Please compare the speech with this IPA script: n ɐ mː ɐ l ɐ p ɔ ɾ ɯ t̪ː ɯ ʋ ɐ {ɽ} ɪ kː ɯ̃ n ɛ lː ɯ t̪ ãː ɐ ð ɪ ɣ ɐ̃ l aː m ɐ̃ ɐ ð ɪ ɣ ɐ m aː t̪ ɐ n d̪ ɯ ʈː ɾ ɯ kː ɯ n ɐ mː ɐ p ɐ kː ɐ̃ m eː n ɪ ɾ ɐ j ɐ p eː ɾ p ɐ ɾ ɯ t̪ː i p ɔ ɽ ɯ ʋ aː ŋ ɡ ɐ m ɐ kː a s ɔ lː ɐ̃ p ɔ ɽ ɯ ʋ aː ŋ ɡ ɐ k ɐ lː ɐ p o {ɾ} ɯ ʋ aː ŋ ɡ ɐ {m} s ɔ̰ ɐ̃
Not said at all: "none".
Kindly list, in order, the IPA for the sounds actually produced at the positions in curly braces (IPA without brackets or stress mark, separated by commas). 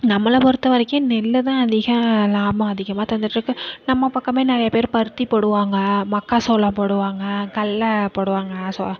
ɾ, ɽ, none